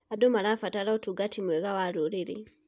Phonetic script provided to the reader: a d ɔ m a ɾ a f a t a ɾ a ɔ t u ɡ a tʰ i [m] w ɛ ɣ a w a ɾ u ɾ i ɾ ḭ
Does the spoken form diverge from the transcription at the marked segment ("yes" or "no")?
no